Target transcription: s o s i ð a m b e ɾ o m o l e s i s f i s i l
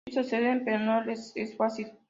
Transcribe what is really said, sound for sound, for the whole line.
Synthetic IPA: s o s e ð e m p e ɾ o n o l e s e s f a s i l